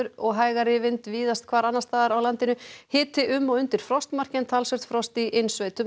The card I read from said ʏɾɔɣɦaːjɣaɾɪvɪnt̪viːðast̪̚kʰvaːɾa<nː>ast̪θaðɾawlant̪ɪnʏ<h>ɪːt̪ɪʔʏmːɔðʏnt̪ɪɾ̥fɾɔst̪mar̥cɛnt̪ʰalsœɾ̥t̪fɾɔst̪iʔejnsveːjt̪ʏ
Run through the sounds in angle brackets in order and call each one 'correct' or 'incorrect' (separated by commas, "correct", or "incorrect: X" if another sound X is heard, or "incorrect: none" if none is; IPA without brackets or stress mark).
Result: correct, correct